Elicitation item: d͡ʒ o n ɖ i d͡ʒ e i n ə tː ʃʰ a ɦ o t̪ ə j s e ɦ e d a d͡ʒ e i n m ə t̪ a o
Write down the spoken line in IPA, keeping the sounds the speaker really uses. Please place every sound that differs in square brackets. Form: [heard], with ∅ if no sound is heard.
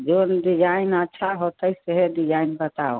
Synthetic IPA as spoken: d͡ʒ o n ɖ i d͡ʒ [a] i n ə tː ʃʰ a ɦ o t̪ ə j s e ɦ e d [i] d͡ʒ [a] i n [b] ə t̪ a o